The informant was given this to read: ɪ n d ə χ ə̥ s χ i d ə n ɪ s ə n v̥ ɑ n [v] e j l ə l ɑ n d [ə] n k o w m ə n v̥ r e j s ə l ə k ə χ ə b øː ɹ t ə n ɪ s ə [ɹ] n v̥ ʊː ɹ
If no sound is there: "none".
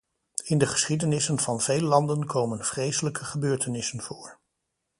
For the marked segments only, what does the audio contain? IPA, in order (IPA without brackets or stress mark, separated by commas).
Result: v, ə, none